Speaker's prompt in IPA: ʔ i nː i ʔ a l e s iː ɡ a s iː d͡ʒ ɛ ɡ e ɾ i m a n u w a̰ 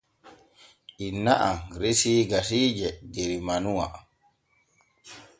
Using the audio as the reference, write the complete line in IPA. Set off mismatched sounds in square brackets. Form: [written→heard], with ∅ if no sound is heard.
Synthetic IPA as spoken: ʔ i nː [i→a] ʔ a [l→ɾ] e s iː ɡ a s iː d͡ʒ ɛ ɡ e ɾ i m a n u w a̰